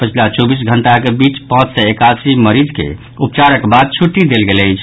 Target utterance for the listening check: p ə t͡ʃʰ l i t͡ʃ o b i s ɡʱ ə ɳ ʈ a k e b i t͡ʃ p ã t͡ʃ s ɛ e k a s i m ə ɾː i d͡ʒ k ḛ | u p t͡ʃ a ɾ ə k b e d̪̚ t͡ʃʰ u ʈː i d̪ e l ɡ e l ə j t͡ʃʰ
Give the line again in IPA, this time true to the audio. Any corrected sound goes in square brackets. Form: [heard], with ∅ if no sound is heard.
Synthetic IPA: p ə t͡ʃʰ l [a] t͡ʃ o b i s ɡʱ ə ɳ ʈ a k e b i t͡ʃ p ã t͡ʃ s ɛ e k a s i m ə [ɾ] i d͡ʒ k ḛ | u p t͡ʃ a ɾ ə k b [a] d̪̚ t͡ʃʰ u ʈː i d̪ e l ɡ e l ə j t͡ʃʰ